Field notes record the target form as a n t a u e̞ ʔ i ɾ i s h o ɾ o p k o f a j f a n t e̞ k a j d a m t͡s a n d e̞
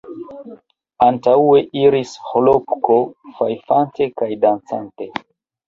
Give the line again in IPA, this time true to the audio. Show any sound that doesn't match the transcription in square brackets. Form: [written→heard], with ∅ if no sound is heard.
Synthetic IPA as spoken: a n t a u e̞ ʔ i ɾ i s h o [ɾ→l] o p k o f a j f a n t e̞ k a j d a [m→n] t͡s a n [d→t] e̞

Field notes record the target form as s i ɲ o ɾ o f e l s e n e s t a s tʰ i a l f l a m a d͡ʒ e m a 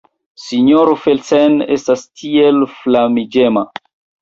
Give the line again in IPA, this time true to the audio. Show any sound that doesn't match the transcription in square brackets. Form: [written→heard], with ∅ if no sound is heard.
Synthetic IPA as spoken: s i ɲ o ɾ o f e l s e n e s t a s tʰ i [a→e] l f l a m [a→i] d͡ʒ e m a

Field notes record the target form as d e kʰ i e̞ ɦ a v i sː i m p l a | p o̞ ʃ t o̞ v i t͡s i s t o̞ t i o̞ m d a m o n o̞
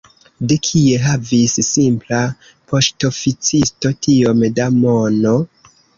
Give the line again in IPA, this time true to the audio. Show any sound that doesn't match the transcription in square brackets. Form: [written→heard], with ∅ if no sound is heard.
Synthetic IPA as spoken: d e kʰ i e̞ ɦ a v i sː i m p l a | p o̞ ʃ t o̞ [v→f] i t͡s i s t o̞ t i o̞ m d a m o n o̞

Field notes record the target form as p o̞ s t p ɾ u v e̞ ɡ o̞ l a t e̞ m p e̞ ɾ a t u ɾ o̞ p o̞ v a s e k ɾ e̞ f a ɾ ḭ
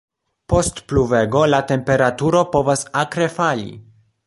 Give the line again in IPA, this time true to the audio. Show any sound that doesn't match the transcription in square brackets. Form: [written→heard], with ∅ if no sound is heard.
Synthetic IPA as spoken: p o̞ s t p [ɾ→l] u v e̞ ɡ o̞ l a t e̞ m p e̞ ɾ a t u ɾ o̞ p o̞ v a s [e→a] k ɾ e̞ f a [ɾ→l] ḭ

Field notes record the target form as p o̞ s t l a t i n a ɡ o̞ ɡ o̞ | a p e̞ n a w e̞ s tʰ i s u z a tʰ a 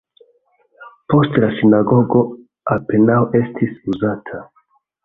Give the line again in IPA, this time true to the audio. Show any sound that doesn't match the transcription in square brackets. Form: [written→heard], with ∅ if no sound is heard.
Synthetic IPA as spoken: p o̞ s t l a [t→s] i n a ɡ o̞ ɡ o̞ | a p e̞ n a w e̞ s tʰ i s u z a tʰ a

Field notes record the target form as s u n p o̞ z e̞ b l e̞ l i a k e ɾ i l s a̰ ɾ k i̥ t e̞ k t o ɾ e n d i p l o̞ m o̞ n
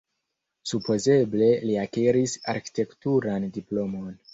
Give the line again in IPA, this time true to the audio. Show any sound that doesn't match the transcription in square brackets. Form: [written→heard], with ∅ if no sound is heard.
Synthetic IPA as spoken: s u [n→∅] p o̞ z e̞ b l e̞ l i a k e ɾ i [l→∅] s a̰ ɾ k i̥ t e̞ k t [o→u] ɾ [e→a] n d i p l o̞ m o̞ n

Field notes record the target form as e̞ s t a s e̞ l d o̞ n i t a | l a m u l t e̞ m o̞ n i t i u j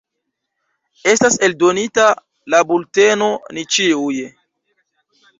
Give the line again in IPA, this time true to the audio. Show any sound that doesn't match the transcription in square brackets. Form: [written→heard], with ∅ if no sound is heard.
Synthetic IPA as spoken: e̞ s t a s e̞ l d o̞ n i t a | l a [m→b] u l t e̞ [m→n] o̞ n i [t→t͡ʃ] i u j

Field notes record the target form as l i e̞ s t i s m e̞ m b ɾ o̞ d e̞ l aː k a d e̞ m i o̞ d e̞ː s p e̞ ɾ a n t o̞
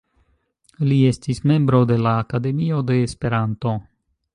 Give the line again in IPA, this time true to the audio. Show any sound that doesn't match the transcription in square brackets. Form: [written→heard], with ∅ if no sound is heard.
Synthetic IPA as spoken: l i e̞ s t i s m e̞ m b ɾ o̞ d e̞ l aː k a d e̞ m i o̞ d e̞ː s p e̞ ɾ a n t o̞

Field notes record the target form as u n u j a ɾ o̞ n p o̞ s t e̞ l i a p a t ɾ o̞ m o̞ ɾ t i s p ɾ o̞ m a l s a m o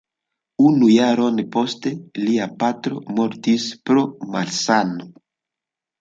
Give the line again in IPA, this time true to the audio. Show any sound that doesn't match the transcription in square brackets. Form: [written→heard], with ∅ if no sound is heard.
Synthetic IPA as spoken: u n u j a ɾ o̞ n p o̞ s t e̞ l i a p a t ɾ o̞ m o̞ ɾ t i s p ɾ o̞ m a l s a [m→n] o

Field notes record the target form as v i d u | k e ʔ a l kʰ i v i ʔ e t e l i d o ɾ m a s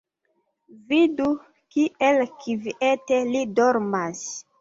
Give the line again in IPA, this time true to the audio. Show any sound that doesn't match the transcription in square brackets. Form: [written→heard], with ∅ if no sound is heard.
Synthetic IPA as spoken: v i d u | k [e→i] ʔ [a→e] l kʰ i v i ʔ e t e l i d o ɾ m a s

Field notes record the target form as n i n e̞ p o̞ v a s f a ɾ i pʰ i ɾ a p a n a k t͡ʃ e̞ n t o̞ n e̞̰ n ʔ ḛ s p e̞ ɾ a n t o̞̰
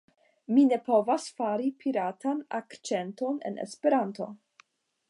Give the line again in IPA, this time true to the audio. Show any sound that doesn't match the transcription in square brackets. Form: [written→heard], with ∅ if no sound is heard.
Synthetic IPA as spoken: [n→m] i n e̞ p o̞ v a s f a ɾ i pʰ i ɾ a [p→t] a n a k t͡ʃ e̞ n t o̞ n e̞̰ n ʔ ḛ s p e̞ ɾ a n t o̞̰

